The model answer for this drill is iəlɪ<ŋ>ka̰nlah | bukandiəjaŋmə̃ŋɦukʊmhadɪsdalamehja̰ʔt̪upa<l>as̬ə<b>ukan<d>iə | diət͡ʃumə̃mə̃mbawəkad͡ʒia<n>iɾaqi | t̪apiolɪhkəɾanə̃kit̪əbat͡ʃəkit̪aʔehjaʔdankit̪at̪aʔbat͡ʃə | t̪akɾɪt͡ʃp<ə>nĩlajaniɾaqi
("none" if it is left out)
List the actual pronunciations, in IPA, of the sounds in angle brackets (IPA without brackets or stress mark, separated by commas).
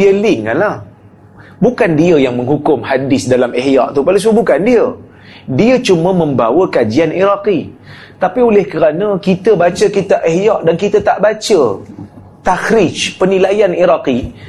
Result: ŋ, l, b, d, n, ə